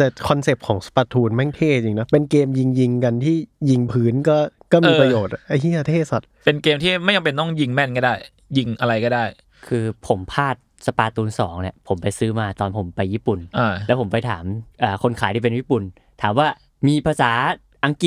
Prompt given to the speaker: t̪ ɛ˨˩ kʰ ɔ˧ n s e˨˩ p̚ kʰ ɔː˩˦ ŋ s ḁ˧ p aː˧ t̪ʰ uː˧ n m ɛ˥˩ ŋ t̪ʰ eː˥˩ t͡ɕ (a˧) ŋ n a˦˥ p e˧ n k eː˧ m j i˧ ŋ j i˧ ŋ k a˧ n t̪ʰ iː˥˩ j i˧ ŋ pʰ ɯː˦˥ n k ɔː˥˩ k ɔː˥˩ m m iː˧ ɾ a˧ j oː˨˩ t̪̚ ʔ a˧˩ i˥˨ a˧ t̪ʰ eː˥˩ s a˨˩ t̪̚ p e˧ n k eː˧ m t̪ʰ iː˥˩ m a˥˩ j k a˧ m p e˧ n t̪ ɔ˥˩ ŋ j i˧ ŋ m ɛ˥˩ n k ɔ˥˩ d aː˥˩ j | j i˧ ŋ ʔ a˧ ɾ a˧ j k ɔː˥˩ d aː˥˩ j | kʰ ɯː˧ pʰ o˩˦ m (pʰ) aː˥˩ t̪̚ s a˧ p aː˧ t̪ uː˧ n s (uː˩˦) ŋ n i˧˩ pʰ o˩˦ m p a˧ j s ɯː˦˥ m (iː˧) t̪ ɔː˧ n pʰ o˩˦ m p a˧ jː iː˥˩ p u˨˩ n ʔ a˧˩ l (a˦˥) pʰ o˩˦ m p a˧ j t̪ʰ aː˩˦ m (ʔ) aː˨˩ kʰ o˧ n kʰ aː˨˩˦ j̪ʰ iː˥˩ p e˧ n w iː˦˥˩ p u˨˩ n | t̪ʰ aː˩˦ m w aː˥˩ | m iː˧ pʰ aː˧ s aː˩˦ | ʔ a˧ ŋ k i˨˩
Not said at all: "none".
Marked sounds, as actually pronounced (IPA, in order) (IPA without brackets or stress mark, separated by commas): i˧, pʰ, ɔː˩˦, aː˧, ɛ˦˥, ʔ